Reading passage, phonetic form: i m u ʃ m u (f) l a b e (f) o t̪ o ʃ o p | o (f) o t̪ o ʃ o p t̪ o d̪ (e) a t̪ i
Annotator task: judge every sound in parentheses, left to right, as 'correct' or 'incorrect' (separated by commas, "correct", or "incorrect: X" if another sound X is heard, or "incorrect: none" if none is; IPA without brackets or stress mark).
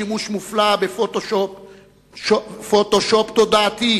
correct, correct, correct, incorrect: a